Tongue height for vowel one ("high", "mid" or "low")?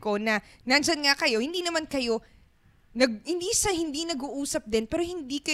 mid